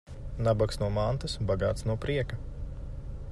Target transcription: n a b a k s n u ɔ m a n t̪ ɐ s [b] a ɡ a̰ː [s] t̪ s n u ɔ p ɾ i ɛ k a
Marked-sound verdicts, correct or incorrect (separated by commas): correct, incorrect